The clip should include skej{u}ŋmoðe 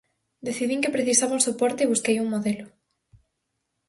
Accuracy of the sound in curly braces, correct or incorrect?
correct